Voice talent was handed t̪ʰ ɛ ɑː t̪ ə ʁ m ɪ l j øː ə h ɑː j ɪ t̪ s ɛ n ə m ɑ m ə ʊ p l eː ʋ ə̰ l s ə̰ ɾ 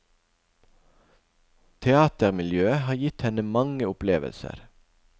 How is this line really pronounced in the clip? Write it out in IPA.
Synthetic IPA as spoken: t̪ʰ ɛ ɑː t̪ ə ʁ m ɪ l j øː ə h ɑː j ɪ t̪ h ɛ n ə m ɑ ŋ ə ʊ p l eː ʋ ə̰ l s ə̰ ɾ